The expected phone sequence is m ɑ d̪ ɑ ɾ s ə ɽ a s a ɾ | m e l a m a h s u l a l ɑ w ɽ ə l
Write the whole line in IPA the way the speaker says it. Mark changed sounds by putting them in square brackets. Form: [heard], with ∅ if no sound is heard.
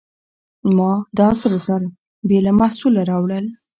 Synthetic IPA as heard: m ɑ d̪ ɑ [∅] s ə [ɾ] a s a ɾ | [b] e l a m a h s u l a [ɾ] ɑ w ɽ ə l